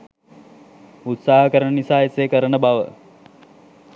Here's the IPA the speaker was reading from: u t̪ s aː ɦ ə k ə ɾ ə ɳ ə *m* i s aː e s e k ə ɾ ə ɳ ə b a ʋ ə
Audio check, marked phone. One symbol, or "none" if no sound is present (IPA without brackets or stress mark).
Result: n